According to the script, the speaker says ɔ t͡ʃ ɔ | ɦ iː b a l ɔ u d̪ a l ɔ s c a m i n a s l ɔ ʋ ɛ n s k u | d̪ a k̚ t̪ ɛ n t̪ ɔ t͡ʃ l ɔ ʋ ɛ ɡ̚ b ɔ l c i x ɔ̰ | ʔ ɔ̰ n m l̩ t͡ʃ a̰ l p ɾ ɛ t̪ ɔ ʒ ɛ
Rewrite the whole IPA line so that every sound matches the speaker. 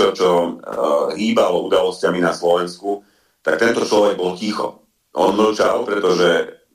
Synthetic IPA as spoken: ɔ t͡ʃ ɔ | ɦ iː b a l ɔ u d̪ a l ɔ s c a m i n a s l ɔ ʋ ɛ n s k u | t̪ a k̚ t̪ ɛ n t̪ ɔ t͡ʃ l ɔ ʋ ɛ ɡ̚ b ɔ l c i x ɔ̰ | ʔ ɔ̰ n m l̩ t͡ʃ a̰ l p ɾ ɛ t̪ ɔ ʒ ɛ